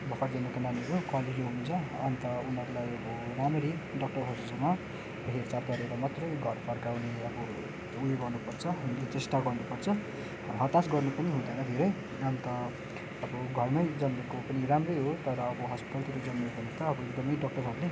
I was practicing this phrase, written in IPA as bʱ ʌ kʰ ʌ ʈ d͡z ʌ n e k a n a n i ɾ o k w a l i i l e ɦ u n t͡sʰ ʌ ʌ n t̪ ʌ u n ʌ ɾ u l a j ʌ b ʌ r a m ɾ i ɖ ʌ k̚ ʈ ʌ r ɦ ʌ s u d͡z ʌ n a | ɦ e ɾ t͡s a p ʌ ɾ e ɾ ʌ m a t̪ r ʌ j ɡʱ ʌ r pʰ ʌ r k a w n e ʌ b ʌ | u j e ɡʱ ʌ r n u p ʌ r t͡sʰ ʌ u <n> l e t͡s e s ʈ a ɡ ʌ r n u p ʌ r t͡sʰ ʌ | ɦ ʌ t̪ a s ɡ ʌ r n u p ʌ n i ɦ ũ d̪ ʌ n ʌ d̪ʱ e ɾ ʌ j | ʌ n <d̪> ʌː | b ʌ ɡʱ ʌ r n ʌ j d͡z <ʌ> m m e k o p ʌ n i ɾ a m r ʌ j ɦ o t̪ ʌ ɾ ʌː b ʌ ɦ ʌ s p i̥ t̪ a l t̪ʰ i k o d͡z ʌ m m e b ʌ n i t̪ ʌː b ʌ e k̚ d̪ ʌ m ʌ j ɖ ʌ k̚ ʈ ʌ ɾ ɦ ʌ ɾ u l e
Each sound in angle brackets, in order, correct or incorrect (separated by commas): correct, incorrect, correct